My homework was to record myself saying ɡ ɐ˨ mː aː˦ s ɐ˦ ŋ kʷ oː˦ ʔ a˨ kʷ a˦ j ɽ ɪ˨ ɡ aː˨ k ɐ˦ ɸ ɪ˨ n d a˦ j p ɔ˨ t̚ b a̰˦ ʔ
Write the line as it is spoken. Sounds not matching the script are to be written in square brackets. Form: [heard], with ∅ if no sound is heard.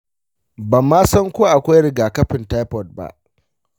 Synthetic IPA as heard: [b] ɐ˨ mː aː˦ s ɐ˦ ŋ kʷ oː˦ ʔ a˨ kʷ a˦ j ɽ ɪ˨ ɡ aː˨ k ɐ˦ ɸ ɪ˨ n [t] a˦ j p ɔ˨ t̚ b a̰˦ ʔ